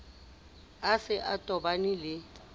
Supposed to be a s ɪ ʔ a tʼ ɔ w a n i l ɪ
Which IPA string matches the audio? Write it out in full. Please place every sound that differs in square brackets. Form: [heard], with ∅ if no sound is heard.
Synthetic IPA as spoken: a s ɪ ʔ a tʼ ɔ [b] a n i l ɪ